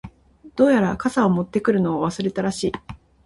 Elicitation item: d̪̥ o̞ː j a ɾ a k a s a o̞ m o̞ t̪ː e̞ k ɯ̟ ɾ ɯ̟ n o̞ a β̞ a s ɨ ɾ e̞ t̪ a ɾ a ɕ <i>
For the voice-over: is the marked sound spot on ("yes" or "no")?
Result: no